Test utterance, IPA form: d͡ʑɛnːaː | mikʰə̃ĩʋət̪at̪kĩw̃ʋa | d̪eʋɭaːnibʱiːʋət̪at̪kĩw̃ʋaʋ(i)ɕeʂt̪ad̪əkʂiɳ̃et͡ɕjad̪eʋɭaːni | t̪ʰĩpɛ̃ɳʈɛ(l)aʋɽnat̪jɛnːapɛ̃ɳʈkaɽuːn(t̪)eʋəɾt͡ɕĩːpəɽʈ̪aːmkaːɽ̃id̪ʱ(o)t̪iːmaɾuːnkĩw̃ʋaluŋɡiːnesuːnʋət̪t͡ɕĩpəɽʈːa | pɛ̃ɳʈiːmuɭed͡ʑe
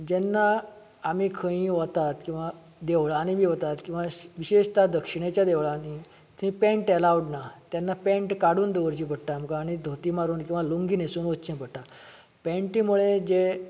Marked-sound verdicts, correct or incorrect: correct, correct, incorrect, correct

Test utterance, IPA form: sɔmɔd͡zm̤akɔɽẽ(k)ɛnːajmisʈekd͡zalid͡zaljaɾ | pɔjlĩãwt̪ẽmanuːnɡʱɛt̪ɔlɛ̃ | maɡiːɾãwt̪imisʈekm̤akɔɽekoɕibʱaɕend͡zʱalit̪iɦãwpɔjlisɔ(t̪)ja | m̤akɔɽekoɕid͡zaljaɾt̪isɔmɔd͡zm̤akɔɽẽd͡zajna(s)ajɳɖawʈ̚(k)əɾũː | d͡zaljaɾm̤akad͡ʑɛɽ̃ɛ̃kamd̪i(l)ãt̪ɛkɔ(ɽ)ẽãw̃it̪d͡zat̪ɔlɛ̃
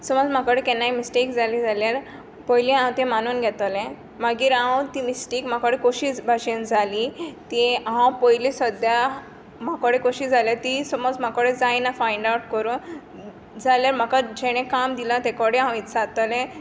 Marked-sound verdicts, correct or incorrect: correct, incorrect, incorrect, correct, correct, correct

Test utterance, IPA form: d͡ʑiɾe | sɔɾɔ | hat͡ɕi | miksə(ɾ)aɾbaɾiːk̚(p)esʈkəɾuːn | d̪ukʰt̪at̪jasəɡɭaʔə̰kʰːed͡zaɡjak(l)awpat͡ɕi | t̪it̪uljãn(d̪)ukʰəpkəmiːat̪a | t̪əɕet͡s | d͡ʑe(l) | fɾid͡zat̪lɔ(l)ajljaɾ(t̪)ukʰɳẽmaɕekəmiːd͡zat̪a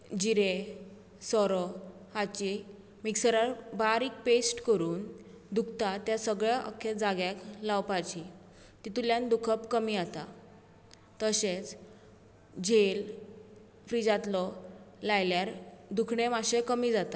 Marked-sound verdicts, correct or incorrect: correct, correct, correct, correct, correct, correct, incorrect

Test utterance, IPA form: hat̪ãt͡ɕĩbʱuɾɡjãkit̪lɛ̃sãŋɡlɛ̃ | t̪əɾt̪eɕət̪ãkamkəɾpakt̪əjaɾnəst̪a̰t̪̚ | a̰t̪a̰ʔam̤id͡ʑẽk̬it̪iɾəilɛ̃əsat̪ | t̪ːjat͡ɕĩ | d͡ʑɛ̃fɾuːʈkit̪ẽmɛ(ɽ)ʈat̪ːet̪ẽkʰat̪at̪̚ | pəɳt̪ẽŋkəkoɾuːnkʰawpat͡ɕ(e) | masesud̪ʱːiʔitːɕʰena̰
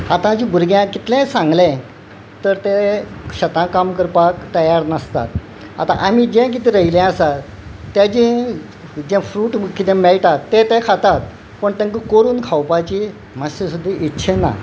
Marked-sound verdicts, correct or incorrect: incorrect, incorrect

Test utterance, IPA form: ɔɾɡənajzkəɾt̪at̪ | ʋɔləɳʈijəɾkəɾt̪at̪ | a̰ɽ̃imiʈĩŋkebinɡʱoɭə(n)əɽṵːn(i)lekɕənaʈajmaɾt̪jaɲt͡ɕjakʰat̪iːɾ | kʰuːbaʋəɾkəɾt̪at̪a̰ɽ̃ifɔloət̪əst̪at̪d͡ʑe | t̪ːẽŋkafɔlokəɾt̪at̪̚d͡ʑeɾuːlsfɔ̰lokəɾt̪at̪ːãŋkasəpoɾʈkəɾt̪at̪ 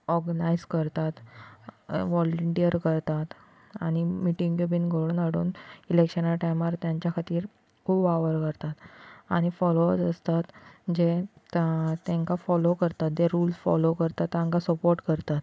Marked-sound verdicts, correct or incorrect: correct, correct

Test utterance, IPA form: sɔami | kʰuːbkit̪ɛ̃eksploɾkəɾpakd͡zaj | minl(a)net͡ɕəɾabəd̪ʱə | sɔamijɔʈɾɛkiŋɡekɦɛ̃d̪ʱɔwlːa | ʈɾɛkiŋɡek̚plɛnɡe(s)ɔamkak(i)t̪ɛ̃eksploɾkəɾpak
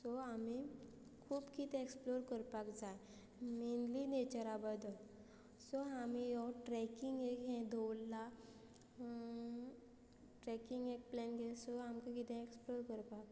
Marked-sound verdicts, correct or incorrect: incorrect, correct, correct

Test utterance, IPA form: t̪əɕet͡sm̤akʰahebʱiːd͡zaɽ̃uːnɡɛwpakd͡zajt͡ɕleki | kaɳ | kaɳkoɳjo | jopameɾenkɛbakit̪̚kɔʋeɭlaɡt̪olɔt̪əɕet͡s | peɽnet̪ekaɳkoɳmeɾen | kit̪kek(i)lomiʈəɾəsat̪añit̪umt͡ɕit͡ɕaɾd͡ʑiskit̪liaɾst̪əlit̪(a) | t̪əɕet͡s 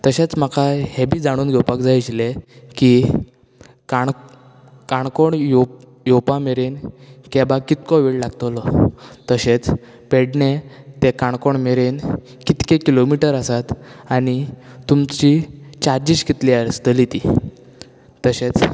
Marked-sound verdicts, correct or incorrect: correct, incorrect

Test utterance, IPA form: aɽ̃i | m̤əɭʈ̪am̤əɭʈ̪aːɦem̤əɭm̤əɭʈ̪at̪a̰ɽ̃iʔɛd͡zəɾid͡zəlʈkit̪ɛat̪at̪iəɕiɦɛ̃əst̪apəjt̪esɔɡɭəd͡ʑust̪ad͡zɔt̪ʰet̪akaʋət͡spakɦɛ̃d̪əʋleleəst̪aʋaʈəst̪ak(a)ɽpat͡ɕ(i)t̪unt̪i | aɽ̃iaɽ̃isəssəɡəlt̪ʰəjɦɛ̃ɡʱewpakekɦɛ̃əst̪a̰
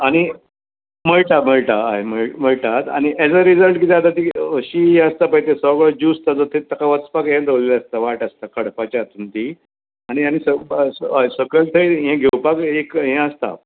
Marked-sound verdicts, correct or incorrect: incorrect, incorrect

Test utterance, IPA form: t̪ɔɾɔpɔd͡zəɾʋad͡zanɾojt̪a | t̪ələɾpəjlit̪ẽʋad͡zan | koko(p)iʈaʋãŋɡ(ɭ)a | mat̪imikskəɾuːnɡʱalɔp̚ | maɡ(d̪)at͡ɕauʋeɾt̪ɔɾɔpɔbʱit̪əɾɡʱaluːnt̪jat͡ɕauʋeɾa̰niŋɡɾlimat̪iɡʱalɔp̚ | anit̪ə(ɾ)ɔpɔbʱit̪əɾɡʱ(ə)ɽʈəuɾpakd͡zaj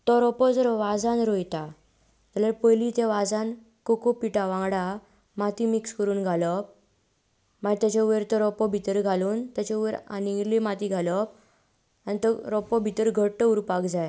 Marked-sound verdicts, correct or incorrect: correct, incorrect, incorrect, correct, correct

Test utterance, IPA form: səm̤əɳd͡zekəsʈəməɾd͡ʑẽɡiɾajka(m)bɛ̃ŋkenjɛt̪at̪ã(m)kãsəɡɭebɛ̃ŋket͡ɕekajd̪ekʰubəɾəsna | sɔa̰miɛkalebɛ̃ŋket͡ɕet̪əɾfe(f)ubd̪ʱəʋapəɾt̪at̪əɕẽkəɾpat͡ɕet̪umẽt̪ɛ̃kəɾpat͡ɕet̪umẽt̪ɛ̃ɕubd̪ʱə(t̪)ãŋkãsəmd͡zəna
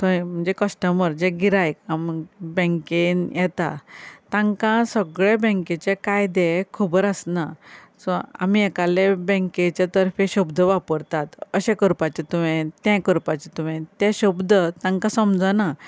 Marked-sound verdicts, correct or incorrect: correct, incorrect, incorrect, correct

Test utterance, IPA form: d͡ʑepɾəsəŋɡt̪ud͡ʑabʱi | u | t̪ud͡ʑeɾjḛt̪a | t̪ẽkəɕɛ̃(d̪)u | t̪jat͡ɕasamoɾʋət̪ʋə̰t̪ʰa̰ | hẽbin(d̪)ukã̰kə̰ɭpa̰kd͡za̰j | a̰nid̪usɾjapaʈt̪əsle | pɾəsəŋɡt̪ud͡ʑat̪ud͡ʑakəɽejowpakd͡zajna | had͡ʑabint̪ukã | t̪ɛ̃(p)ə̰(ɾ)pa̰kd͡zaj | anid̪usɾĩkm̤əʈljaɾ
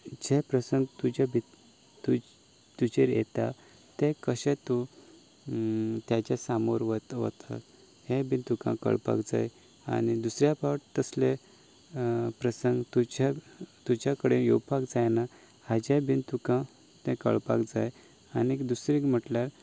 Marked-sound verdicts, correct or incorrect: incorrect, incorrect, incorrect, incorrect

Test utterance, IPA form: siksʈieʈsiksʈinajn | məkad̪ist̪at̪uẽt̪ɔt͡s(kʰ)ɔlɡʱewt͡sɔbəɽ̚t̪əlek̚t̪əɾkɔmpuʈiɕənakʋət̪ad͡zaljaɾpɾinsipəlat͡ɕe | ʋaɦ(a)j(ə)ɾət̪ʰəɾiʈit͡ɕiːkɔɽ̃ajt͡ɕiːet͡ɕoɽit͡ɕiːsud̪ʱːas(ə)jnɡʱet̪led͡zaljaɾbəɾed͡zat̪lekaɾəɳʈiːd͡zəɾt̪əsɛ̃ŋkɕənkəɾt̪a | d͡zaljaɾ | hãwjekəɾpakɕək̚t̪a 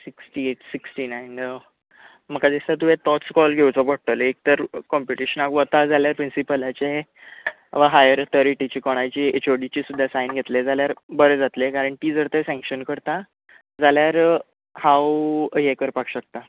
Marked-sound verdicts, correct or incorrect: incorrect, correct, correct, incorrect

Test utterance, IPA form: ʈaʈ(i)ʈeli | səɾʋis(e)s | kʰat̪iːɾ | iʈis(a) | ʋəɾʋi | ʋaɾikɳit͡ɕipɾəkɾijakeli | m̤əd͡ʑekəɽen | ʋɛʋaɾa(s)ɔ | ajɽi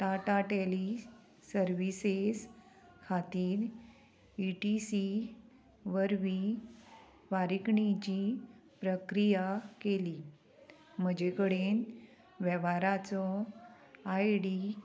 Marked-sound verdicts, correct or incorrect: incorrect, correct, incorrect, incorrect

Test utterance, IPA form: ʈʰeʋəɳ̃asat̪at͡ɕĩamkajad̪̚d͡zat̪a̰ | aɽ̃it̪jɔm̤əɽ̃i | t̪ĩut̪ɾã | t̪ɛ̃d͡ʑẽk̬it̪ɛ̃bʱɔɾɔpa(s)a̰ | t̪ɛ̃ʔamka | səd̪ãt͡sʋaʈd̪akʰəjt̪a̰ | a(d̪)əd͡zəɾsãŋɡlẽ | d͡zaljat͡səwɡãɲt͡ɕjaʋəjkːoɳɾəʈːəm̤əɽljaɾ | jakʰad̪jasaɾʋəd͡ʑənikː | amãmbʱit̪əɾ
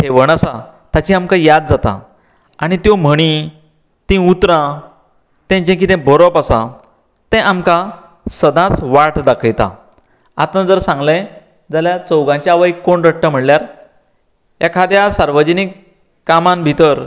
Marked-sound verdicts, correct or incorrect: correct, incorrect

